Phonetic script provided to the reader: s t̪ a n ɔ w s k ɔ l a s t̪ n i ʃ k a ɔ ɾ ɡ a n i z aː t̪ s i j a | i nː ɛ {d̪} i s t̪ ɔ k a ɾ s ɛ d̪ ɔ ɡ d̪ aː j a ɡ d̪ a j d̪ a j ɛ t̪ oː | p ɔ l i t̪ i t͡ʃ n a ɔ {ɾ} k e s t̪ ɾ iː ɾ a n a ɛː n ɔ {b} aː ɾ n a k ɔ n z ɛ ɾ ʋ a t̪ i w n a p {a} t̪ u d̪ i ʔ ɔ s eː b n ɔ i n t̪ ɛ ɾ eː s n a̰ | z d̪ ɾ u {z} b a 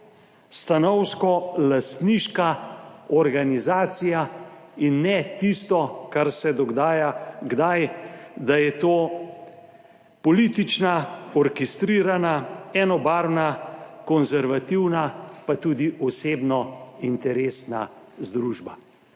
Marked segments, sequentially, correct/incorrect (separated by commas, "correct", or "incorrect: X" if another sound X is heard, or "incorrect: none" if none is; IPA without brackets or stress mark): incorrect: t̪, correct, correct, correct, incorrect: ʒ